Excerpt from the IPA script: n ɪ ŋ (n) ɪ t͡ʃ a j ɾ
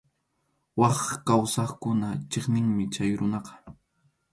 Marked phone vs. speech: incorrect: m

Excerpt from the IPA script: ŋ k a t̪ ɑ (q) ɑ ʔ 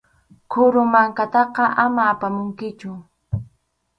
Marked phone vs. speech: correct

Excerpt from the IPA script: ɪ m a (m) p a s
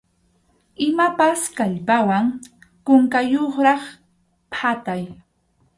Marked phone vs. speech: incorrect: none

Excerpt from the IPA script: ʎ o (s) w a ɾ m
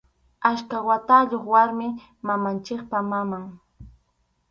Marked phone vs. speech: incorrect: χ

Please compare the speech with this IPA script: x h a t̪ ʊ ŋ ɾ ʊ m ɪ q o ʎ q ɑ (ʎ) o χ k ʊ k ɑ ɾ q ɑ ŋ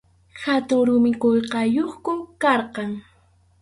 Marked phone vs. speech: incorrect: j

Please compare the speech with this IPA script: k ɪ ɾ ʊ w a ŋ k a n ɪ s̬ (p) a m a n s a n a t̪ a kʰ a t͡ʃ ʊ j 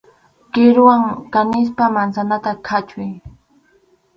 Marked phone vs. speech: correct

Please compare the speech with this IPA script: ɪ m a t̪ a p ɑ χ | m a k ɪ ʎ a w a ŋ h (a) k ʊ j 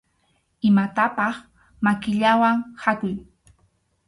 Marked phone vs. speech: correct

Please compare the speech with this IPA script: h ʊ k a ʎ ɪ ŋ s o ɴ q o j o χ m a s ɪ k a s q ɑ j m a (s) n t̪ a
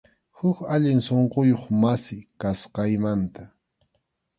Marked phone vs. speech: incorrect: none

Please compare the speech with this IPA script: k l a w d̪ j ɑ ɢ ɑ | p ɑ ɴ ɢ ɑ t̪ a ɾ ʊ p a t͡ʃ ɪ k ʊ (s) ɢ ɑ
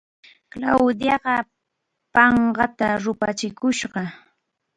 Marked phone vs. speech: incorrect: ʃ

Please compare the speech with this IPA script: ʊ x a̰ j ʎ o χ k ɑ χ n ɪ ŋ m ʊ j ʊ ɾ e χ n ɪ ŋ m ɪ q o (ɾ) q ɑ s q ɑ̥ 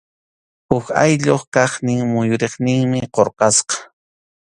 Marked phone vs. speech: correct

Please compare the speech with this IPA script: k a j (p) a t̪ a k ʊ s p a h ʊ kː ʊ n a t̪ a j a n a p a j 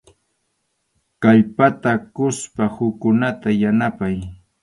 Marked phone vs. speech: correct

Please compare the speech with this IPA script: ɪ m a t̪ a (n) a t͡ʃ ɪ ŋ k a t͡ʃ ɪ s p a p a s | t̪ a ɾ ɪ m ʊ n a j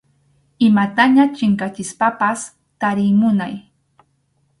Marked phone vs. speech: incorrect: ɲ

